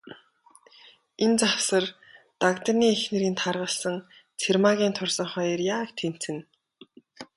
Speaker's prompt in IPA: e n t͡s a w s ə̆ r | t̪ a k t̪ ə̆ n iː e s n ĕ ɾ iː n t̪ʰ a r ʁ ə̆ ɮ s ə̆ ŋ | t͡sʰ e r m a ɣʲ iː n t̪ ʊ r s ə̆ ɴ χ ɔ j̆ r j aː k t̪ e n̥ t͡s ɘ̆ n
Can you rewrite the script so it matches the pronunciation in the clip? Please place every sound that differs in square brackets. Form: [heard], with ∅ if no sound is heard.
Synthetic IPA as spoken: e n t͡s a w s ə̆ r | t̪ a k t̪ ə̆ n iː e [x] n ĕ ɾ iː n t̪ʰ a r ʁ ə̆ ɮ s ə̆ ŋ | t͡sʰ e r m a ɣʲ iː n [t̪ʰ] ʊ r s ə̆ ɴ χ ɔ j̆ r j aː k [t̪ʰ] e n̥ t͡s ɘ̆ n